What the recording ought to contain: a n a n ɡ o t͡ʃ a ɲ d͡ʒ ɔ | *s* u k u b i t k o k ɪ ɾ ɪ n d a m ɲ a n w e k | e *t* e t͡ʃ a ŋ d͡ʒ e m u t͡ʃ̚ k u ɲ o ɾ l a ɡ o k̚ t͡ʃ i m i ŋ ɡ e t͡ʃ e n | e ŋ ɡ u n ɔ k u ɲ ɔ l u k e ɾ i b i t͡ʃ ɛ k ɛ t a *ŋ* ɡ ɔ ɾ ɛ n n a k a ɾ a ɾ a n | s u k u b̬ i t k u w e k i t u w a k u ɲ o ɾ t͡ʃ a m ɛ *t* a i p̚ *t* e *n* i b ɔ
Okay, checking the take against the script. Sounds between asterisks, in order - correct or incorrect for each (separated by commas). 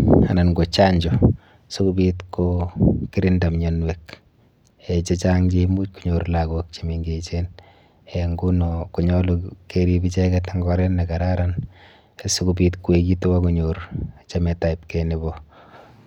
correct, incorrect, correct, correct, incorrect, correct